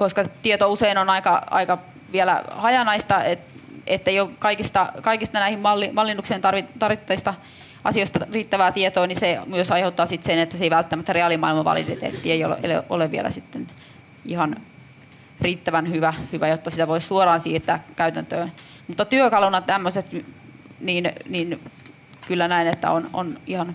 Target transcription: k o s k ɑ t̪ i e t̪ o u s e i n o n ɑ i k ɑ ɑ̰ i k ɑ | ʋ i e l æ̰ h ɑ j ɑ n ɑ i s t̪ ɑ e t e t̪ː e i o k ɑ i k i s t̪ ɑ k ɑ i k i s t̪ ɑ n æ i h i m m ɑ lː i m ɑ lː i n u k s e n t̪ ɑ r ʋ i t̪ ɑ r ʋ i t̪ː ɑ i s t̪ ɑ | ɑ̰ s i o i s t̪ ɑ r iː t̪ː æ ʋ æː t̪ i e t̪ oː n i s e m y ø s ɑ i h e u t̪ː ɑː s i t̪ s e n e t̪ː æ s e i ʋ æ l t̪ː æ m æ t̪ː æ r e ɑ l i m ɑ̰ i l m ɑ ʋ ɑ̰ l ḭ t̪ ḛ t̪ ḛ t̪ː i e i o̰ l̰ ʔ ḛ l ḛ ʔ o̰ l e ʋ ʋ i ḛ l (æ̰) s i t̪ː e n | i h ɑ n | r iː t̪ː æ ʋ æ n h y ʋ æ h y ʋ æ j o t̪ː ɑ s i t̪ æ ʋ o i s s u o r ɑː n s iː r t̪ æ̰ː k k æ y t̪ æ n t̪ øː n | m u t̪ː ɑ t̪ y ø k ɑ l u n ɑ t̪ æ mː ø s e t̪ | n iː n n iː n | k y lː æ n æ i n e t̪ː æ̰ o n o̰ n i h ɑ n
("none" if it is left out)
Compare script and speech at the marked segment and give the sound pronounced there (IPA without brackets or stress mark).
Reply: æ̰